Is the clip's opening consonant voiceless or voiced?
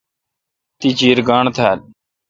voiceless